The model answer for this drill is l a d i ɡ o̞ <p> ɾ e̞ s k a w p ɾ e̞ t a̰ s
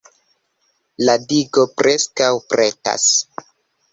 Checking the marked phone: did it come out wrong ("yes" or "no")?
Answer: no